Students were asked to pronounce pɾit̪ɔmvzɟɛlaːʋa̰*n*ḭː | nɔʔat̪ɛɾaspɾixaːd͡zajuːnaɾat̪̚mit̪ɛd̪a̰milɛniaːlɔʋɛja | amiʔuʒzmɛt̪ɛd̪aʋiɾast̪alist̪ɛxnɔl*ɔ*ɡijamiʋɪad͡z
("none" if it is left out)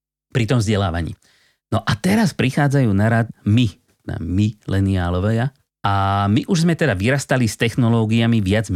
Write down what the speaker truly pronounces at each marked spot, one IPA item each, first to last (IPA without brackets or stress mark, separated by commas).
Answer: ɲ, ɔː